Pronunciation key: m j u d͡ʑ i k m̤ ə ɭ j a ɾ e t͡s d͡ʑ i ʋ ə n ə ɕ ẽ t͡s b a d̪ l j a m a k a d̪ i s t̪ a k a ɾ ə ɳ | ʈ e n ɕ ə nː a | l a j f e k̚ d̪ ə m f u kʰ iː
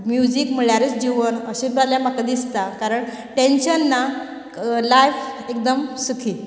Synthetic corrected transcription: m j u d͡ʑ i k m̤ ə ɭ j a ɾ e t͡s d͡ʑ i ʋ ə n ə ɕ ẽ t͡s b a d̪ l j a m a k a d̪ i s t̪ a k a ɾ ə ɳ | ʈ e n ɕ ə nː a | l a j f e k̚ d̪ ə m s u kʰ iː

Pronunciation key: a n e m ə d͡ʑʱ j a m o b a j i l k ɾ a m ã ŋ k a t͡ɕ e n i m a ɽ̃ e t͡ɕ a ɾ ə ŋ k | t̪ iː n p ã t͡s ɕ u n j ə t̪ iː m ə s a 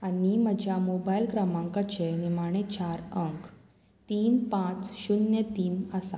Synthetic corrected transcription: a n i m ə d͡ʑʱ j a m o b a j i l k ɾ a m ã ŋ k a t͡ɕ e n i m a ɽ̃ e t͡ɕ a ɾ ə ŋ k | t̪ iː n p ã t͡s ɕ u n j ə t̪ iː n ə s a

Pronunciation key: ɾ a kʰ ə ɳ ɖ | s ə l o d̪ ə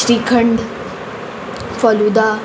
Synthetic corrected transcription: ɾ i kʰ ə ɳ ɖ | f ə l u d̪ a

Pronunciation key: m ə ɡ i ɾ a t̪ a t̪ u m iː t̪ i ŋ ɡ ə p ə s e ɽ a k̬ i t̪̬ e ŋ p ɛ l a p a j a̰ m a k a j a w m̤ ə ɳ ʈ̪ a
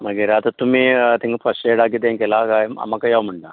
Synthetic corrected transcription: m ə ɡ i ɾ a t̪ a t̪ u m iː t̪ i ŋ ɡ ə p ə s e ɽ a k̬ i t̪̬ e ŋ k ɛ l a k a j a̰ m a k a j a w m̤ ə ɳ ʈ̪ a

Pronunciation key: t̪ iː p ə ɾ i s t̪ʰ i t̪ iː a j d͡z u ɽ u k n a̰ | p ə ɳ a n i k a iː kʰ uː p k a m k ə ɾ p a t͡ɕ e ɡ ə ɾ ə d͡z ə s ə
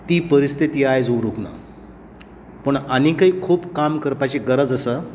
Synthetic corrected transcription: t̪ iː p ə ɾ i s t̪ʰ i t̪ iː a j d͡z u ɾ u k n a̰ | p ə ɳ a n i k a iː kʰ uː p k a m k ə ɾ p a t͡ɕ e ɡ ə ɾ ə d͡z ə s ə

